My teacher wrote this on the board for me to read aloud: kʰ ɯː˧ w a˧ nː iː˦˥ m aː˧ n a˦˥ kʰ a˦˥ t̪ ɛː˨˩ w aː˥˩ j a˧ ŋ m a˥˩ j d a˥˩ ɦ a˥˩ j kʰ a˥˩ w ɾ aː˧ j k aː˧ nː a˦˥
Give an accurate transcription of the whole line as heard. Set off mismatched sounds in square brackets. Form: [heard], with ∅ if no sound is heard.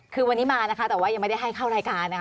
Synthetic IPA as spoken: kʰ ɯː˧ w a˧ nː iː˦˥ m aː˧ n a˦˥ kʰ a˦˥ t̪ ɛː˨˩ w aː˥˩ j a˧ ŋ m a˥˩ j d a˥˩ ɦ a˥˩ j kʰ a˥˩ w ɾ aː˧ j k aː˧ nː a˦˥